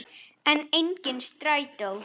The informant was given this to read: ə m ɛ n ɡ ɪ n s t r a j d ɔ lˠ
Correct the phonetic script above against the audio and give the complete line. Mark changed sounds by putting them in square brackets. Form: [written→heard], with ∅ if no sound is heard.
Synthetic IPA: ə [m→n] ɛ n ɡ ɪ n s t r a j d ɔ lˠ